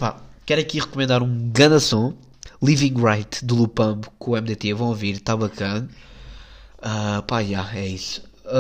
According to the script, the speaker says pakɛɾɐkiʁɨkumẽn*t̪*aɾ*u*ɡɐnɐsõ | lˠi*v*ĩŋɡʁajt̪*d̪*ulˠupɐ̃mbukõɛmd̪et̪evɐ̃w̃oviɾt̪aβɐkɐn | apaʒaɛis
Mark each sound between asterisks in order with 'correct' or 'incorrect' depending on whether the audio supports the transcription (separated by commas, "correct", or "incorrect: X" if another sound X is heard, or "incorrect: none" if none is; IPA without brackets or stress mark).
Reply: incorrect: d̪, incorrect: ũ, correct, correct